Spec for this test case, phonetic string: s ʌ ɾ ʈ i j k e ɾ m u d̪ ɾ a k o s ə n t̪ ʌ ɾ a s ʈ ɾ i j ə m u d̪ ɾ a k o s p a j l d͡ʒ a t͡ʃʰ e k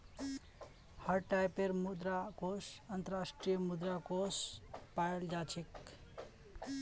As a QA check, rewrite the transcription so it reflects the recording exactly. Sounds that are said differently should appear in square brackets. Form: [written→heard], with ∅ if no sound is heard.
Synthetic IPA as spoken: [s→h] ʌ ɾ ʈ [i→a] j [k→p] e ɾ m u d̪ ɾ a k o s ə n t̪ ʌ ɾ a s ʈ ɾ i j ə m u d̪ ɾ a k o s p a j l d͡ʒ a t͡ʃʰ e k